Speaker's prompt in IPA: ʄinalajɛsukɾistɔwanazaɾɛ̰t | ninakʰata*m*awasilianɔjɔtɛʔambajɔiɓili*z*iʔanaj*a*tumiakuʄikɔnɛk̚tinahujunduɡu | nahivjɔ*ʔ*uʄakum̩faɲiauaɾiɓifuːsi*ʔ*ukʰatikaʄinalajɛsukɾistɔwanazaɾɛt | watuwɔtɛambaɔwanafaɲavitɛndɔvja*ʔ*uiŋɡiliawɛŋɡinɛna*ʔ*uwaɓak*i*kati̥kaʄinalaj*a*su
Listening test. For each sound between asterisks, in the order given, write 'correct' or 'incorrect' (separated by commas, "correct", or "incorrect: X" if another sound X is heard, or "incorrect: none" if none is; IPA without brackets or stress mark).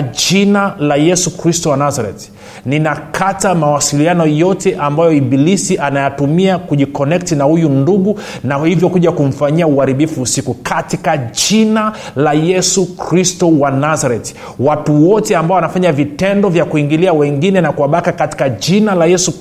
correct, incorrect: s, correct, incorrect: k, incorrect: k, incorrect: k, incorrect: k, incorrect: a, incorrect: ɛ